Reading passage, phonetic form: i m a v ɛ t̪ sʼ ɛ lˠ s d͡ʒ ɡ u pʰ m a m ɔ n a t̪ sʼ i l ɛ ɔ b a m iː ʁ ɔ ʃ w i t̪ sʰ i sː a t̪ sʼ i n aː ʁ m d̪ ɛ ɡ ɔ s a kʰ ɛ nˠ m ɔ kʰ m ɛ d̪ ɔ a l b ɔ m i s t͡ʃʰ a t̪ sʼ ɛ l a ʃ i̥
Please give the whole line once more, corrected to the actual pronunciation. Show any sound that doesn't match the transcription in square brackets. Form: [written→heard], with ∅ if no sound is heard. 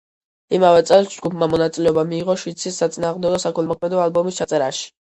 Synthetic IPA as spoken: i m a v ɛ t̪ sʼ ɛ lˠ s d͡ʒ ɡ u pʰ m a m ɔ n a t̪ sʼ i l ɛ ɔ b a m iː ʁ ɔ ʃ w i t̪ sʰ i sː a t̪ sʼ i n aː ʁ m d̪ ɛ ɡ ɔ s a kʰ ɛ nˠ m ɔ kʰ m ɛ d̪ ɔ a l b ɔ m i s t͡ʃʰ a t̪ sʼ ɛ [l→ɾ] a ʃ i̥